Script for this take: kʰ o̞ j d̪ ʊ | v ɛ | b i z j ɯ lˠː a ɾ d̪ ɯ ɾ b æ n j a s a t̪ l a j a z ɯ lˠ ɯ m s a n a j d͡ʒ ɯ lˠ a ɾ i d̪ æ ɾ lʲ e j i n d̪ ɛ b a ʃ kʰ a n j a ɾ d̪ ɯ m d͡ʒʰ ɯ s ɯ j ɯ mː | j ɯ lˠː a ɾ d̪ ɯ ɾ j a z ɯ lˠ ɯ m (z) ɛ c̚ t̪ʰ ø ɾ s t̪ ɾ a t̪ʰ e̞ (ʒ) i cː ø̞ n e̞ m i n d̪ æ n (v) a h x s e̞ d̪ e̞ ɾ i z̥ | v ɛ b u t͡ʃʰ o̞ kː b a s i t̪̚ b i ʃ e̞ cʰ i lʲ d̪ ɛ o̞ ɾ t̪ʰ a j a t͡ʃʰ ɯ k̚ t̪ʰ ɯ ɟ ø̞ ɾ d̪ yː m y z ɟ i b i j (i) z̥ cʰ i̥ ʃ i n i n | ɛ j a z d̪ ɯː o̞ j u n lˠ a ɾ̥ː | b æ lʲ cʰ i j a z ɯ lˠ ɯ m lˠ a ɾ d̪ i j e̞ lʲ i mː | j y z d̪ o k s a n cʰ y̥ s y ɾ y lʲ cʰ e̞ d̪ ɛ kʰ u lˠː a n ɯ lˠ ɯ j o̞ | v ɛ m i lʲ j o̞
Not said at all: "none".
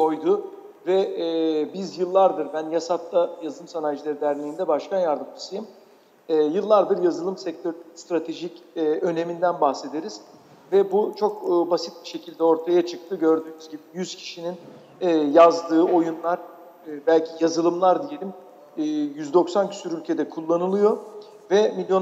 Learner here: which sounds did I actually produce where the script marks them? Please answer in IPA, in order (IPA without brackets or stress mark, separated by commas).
s, ʒ, b, y